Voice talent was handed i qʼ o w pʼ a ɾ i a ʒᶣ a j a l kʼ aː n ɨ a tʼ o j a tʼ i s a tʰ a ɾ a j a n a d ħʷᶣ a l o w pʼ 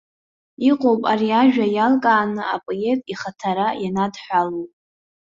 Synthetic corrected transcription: i qʼ o w pʼ a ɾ i a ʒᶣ a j a l kʼ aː n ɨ a pʼ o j e tʼ i χ a tʰ a ɾ a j a n a d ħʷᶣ a l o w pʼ